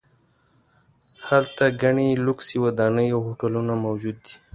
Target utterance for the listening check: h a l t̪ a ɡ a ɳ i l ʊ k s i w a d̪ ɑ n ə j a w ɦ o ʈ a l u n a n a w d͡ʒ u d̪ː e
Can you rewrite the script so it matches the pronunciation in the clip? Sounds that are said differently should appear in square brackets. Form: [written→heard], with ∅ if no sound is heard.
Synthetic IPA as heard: h a l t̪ a ɡ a ɳ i l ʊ k s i w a d̪ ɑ n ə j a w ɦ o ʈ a l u n a [n→m] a w d͡ʒ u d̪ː [e→i]

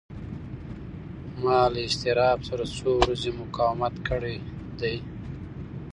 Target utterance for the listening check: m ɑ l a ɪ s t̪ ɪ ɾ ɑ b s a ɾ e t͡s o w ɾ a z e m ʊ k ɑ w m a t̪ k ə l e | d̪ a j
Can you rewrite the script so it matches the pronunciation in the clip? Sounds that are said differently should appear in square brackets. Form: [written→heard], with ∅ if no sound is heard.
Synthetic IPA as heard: m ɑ l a ɪ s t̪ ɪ ɾ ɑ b s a ɾ [e→a] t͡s o w ɾ a z e m ʊ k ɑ w m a t̪ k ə [l→ɽ] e | d̪ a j

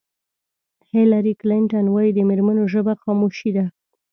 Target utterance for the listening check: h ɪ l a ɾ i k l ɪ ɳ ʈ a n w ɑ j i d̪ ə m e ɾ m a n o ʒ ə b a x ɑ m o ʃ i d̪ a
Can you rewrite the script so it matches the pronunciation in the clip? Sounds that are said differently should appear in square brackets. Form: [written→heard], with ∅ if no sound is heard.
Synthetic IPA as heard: h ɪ l a ɾ i k l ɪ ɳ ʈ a n w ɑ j i d̪ ə m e ɾ m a n o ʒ ə b a x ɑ m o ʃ i d̪ a

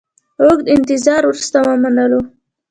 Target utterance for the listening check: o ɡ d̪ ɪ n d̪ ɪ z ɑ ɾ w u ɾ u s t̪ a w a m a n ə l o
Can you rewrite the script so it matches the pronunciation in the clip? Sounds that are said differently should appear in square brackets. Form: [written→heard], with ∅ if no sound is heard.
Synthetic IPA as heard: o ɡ d̪ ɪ n [d̪→t̪] ɪ z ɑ ɾ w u ɾ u s t̪ a w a m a n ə l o

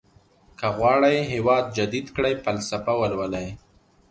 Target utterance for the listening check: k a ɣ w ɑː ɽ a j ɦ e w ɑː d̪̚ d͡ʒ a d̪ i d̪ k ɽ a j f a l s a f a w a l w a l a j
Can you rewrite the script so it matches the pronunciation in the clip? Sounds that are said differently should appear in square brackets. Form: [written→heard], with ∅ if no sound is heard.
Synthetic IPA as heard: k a ɣ w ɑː ɽ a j ɦ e w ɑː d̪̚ d͡ʒ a d̪ i d̪ k ɽ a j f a l s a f a w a l w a l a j

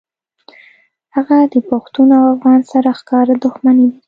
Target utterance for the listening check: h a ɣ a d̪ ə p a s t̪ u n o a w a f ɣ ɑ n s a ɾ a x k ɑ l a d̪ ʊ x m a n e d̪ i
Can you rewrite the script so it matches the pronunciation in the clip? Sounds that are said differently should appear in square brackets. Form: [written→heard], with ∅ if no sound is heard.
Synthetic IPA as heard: h a ɣ a d̪ ə p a [s→x] t̪ u n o a w a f ɣ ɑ n s a ɾ a x k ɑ [l→ɾ] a d̪ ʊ x m a n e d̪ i

